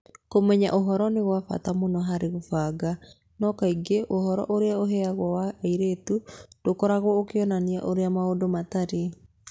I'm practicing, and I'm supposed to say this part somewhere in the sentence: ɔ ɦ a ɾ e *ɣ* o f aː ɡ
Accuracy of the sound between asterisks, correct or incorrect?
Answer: correct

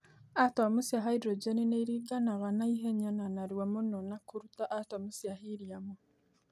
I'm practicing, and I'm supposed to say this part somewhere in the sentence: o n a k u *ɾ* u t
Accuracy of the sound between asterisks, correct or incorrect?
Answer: correct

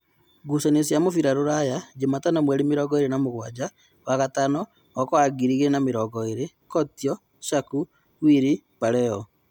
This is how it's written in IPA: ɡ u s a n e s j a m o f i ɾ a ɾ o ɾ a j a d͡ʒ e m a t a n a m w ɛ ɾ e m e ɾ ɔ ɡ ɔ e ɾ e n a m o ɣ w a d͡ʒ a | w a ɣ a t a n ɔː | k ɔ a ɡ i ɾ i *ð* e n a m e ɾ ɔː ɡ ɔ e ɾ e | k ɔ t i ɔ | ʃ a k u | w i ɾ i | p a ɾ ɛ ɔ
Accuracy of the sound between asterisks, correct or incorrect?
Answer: incorrect: ɣ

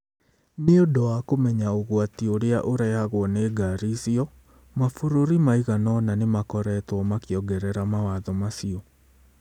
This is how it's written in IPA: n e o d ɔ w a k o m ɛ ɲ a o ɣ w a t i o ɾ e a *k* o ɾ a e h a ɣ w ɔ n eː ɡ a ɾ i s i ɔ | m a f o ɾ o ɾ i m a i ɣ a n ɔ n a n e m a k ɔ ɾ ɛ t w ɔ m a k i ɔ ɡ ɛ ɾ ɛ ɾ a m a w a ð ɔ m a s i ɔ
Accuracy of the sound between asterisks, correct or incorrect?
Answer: incorrect: ʔ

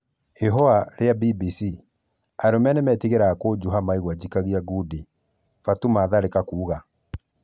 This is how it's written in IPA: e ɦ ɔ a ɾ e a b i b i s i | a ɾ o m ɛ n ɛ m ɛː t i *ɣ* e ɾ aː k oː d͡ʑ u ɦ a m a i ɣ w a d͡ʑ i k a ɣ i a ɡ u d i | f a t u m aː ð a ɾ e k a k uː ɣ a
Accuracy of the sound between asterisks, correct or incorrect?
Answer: correct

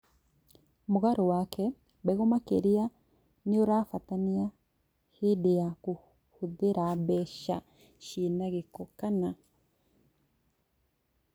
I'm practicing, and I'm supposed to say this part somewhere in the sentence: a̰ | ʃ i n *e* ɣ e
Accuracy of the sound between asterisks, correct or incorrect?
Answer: incorrect: a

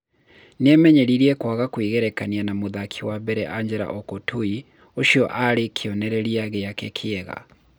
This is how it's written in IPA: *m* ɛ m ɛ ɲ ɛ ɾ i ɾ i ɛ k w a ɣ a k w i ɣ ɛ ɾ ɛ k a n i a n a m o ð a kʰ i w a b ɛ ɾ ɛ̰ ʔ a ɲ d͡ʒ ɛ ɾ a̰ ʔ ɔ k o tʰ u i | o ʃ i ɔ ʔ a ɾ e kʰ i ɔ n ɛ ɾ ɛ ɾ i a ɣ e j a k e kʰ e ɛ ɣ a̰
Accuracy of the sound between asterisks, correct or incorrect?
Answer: incorrect: n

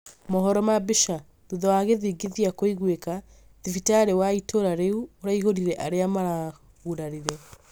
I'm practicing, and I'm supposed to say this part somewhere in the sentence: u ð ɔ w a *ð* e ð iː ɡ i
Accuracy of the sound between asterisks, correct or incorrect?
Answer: incorrect: ɣ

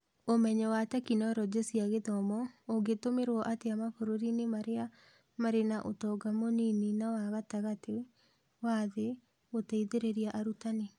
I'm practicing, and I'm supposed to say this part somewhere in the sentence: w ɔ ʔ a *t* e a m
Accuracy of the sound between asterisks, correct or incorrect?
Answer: correct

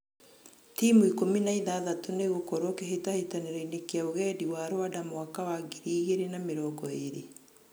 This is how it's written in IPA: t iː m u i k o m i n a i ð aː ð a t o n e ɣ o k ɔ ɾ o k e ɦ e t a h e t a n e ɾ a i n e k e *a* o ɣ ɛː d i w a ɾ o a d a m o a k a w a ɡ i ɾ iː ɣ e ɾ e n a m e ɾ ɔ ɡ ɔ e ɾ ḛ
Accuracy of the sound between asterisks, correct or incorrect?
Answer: correct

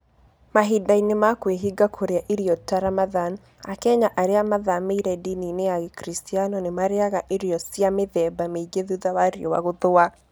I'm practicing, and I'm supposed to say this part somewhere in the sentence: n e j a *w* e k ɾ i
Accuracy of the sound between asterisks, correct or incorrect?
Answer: incorrect: ɣ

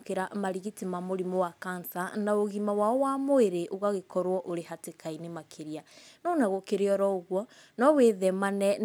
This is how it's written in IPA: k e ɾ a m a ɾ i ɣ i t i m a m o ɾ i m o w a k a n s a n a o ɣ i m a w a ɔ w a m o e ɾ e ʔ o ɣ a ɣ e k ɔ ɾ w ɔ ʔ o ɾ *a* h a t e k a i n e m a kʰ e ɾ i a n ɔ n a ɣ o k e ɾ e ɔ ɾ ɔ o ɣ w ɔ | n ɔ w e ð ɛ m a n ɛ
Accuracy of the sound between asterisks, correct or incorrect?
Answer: incorrect: e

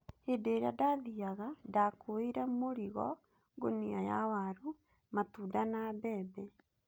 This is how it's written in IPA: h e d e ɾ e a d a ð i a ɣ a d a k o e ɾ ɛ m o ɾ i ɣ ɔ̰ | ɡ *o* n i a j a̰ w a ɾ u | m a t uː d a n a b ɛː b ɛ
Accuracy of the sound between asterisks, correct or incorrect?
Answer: correct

